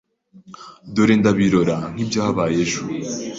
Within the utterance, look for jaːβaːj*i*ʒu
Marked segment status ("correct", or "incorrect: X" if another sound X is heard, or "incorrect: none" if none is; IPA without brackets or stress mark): incorrect: e